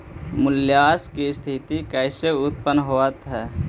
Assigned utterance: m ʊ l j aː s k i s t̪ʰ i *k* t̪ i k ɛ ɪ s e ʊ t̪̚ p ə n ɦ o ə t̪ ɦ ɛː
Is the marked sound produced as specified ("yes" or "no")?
no